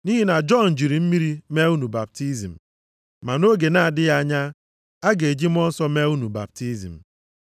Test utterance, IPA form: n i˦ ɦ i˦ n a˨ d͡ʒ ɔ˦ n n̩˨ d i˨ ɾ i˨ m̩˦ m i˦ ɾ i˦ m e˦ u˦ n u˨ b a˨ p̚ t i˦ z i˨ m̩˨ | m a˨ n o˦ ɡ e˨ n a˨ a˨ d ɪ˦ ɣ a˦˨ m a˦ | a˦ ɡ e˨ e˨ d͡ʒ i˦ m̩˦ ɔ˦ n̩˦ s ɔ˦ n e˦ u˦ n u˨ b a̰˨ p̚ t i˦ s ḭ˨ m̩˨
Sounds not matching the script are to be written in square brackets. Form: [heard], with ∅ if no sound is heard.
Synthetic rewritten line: n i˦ ɦ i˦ n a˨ d͡ʒ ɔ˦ n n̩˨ [d͡ʒ] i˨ ɾ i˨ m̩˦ m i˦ ɾ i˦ m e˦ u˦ n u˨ b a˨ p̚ t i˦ z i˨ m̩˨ | m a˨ n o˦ ɡ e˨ n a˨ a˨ d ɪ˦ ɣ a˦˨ [ɲ] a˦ | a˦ ɡ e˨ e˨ d͡ʒ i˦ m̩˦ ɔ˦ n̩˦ s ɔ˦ [m] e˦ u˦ n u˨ b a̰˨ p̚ t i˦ [z] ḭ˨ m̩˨